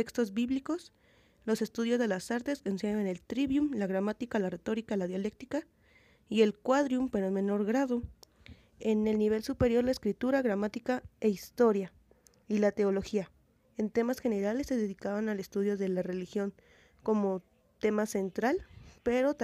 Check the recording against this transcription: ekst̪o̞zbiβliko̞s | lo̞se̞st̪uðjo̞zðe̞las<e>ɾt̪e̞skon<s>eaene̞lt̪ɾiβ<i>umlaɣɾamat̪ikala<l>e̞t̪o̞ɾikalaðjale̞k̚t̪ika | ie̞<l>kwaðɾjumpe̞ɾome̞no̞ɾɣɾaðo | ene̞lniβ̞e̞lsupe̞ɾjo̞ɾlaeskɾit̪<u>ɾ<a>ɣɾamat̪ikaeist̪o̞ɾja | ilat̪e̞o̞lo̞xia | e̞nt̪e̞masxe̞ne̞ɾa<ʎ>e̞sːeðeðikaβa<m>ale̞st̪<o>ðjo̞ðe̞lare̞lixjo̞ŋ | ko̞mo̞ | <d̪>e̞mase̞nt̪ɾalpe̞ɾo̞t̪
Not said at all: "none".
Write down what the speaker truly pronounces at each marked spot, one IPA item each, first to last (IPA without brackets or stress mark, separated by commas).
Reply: a, s, j, r, l, u, a, l, n, u, t̪